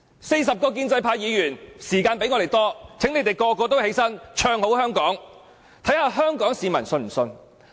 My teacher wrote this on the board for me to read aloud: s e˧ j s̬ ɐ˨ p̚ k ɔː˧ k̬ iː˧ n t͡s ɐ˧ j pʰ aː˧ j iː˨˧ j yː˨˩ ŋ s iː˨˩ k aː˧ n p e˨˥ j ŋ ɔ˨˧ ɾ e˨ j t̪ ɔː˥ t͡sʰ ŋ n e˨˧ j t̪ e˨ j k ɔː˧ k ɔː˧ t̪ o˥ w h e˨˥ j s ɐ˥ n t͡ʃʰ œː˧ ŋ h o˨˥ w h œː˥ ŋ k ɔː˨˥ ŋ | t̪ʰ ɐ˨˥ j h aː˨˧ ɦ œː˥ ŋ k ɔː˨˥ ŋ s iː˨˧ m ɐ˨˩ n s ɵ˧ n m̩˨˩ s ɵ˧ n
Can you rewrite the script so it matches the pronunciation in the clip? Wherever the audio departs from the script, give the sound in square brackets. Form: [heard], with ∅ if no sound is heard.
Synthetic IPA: s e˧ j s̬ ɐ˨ p̚ k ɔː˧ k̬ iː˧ n t͡s ɐ˧ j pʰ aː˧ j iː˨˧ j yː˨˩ [n] s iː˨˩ k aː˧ n p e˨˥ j ŋ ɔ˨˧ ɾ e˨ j t̪ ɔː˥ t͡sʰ ŋ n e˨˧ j t̪ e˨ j k ɔː˧ k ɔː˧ t̪ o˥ w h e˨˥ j s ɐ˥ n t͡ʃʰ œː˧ ŋ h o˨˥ w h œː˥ ŋ k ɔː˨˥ ŋ | t̪ʰ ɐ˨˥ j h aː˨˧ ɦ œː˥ ŋ k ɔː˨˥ ŋ s iː˨˧ m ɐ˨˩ n s ɵ˧ n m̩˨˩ s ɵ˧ n